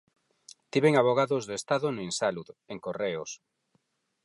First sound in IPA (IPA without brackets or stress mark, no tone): t̪